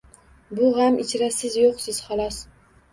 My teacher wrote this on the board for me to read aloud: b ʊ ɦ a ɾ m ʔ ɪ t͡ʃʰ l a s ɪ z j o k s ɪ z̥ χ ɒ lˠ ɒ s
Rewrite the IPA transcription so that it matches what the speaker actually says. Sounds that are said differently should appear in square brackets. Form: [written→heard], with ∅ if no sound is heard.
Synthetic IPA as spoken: b ʊ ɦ a [ɾ→∅] m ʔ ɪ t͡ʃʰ [l→ɾ] a s ɪ z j o [k→q] s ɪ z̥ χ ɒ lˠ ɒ s

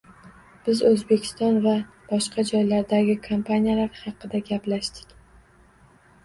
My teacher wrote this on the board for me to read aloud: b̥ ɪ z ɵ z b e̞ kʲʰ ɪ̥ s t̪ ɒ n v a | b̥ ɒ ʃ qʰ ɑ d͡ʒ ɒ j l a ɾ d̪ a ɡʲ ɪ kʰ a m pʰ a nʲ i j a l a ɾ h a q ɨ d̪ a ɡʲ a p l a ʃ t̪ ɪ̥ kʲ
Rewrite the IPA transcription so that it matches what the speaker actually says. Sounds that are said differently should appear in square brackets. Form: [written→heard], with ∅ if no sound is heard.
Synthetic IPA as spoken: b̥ ɪ z ɵ z b e̞ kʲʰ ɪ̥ s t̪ ɒ n v a | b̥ ɒ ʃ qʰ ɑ d͡ʒ ɒ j l a ɾ d̪ a ɡʲ ɪ kʰ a m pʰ a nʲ i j a l a ɾ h [a→ɑ] q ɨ d̪ a ɡʲ a p l a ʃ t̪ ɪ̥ kʲ

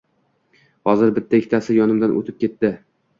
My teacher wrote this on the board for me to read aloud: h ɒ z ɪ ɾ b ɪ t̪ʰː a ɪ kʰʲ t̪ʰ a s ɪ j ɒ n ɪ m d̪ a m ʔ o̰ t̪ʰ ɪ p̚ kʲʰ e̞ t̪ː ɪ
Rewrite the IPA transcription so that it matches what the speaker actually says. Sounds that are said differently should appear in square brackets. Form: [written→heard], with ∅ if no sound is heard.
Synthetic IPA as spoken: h ɒ z ɪ ɾ b ɪ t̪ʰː a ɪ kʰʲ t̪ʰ a s ɪ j ɒ n ɪ m d̪ a [m→n] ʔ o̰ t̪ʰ ɪ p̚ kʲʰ e̞ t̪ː ɪ

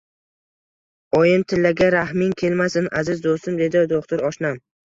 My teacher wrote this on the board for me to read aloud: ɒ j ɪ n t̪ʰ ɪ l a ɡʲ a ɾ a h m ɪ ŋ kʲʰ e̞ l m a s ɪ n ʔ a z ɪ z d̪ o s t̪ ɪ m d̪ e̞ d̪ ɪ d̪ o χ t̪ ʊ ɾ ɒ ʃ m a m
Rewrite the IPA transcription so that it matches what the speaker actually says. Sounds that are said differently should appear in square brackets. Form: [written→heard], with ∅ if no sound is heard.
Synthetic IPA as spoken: ɒ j ɪ n t̪ʰ ɪ [l→lː] a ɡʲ a ɾ a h m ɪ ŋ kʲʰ e̞ l m a s ɪ n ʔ a z ɪ z d̪ o s t̪ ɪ m d̪ e̞ d̪ ɪ d̪ o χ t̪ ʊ ɾ ɒ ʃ [m→n] a m

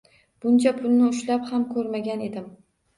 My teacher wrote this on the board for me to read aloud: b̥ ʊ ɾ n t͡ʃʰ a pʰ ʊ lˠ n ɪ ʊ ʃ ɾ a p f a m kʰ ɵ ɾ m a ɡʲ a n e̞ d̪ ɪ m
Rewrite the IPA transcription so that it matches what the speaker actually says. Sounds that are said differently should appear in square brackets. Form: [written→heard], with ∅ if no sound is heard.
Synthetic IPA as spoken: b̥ ʊ [ɾ→∅] n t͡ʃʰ a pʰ ʊ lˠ n ɪ ʊ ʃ [ɾ→l] a p [f→h] a m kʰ ɵ ɾ m a ɡʲ a n e̞ d̪ ɪ m

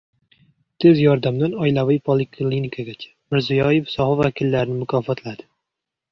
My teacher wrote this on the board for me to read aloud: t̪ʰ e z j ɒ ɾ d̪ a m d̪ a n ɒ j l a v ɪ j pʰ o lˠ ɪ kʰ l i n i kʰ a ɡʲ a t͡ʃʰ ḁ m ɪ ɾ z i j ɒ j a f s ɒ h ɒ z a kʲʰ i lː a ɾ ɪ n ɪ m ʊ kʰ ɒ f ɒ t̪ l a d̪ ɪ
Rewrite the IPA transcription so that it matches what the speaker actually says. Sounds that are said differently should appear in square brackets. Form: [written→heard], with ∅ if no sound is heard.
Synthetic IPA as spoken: t̪ʰ e z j ɒ ɾ d̪ a m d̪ a n ɒ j l a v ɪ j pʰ o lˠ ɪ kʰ l i n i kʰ a ɡʲ a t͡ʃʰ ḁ m ɪ ɾ z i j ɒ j [a→e] f s ɒ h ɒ [z→v] a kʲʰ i lː a ɾ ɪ n ɪ m ʊ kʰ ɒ f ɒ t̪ l a d̪ ɪ

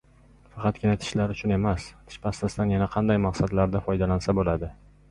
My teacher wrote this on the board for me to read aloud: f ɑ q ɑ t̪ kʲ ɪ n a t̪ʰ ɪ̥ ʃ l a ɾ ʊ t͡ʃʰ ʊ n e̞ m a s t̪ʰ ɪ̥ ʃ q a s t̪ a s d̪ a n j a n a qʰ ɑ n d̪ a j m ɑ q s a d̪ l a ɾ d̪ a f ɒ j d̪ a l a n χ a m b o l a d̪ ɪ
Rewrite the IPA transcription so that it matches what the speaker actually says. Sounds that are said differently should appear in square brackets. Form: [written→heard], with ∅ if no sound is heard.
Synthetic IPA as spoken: f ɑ q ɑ t̪ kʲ ɪ n a t̪ʰ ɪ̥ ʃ l a ɾ ʊ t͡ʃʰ ʊ n e̞ m a s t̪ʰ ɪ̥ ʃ [q→p] a s t̪ a s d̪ a n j a n a qʰ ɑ n d̪ a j m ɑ q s a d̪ l a ɾ d̪ a f ɒ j d̪ a l a n [χ→s] a [m→∅] b o l a d̪ ɪ

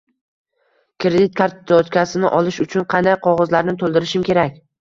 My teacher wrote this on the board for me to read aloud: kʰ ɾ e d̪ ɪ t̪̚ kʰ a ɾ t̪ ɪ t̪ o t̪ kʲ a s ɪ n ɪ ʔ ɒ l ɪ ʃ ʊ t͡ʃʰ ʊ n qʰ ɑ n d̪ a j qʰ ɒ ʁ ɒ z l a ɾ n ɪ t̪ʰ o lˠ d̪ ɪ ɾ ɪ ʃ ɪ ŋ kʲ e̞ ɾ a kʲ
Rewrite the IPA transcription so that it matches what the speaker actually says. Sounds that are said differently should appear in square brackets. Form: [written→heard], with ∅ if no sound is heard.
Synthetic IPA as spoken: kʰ ɾ e d̪ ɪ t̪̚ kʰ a ɾ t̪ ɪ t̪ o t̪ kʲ a s ɪ n ɪ ʔ ɒ l ɪ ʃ ʊ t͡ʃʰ ʊ n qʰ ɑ n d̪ a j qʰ ɒ ʁ ɒ z l a ɾ n ɪ t̪ʰ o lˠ d̪ ɪ ɾ ɪ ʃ ɪ [ŋ→m] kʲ e̞ ɾ a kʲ

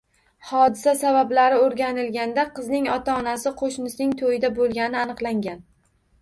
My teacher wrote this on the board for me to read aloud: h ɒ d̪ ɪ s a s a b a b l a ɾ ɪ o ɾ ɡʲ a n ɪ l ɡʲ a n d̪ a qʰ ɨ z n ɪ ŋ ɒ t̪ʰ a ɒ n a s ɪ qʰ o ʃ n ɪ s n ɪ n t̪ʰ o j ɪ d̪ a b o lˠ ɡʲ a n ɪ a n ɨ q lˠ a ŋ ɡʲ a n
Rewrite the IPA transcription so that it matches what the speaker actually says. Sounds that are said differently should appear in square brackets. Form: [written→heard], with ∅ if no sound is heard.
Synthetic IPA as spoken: h ɒ d̪ ɪ s a s a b a b l a ɾ ɪ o ɾ ɡʲ a n ɪ l ɡʲ a n d̪ a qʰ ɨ z n ɪ ŋ ɒ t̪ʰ a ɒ n a s ɪ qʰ o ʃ n ɪ s n ɪ [n→ŋ] t̪ʰ o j ɪ d̪ a b o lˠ ɡʲ a n ɪ a n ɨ q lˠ a ŋ ɡʲ a n

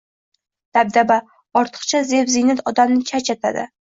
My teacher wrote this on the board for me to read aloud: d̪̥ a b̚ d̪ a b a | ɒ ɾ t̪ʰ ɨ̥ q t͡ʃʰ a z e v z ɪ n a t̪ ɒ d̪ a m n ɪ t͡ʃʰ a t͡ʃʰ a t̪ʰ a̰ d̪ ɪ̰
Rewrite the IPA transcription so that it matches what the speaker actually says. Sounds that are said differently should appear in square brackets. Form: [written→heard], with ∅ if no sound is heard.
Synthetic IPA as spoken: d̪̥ a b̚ d̪ a b a | ɒ ɾ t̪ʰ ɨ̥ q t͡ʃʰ a z e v z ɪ n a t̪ ɒ d̪ a m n ɪ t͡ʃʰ a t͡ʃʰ a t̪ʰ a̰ d̪ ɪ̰

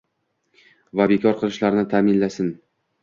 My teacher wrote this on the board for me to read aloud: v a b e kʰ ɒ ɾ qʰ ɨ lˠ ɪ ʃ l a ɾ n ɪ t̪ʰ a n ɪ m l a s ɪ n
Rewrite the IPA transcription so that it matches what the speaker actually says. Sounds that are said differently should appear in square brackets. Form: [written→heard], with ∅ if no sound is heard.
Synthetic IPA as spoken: v a b e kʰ ɒ ɾ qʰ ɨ lˠ ɪ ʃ l a ɾ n ɪ t̪ʰ a [n→m] ɪ [m→n] l a s ɪ n

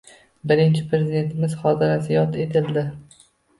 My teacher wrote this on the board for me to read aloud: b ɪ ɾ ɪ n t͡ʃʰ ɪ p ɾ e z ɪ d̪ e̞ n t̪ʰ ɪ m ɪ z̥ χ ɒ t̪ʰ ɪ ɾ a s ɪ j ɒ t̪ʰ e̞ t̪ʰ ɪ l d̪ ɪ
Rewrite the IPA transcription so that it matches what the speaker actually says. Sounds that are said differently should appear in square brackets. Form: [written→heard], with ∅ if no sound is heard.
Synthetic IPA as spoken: b ɪ ɾ ɪ n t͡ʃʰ ɪ p ɾ e z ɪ d̪ e̞ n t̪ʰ ɪ m ɪ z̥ χ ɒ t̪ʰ ɪ ɾ a s ɪ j ɒ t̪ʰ e̞ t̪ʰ ɪ l d̪ ɪ

